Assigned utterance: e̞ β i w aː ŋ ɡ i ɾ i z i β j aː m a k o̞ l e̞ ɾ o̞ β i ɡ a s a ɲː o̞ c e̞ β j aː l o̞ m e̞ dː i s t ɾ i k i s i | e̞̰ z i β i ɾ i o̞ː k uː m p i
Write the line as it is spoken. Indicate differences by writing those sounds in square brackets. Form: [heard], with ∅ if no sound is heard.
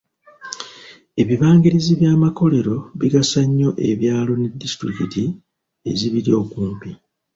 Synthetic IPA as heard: e̞ β i [β] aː ŋ ɡ i ɾ i z i β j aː m a k o̞ l e̞ ɾ o̞ β i ɡ a s a ɲː o̞ [ʔ] e̞ β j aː l o̞ [n] e̞ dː i s t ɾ i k i [t] i | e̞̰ z i β i ɾ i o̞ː k uː m p i